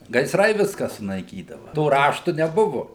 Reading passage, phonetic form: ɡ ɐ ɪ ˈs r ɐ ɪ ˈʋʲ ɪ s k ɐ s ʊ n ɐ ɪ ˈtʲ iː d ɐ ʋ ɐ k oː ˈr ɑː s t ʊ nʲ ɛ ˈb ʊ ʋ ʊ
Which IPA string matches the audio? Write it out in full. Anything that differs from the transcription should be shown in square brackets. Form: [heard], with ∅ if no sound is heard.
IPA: ɡ ɐ ɪ ˈs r ɐ ɪ ˈʋʲ ɪ s k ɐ s ʊ n ɐ ɪ [ˈkʲ] iː d ɐ ʋ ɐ [t] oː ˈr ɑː [ʃ] t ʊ nʲ ɛ ˈb ʊ ʋ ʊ

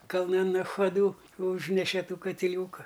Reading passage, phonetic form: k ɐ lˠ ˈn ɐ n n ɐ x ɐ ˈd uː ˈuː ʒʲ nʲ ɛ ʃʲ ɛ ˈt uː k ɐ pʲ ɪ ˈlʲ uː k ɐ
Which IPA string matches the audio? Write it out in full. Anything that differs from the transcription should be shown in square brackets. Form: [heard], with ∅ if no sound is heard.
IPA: k ɐ lˠ ˈn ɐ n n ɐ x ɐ ˈd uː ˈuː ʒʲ nʲ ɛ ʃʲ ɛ ˈt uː k ɐ [tʲ] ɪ ˈlʲ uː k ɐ

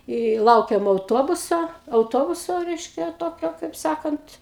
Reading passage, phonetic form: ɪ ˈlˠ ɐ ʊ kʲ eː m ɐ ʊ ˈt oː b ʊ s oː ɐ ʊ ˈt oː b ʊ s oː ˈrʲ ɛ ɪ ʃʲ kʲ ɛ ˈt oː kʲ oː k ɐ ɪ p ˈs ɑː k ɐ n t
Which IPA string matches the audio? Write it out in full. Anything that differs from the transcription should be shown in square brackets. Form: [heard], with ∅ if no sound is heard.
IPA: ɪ ˈlˠ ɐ ʊ kʲ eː m ɐ ʊ ˈt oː b ʊ s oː ɐ ʊ ˈt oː b ʊ s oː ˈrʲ ɛ ɪ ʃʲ kʲ ɛ ˈt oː kʲ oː k ɐ ɪ p ˈs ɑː k ɐ n t

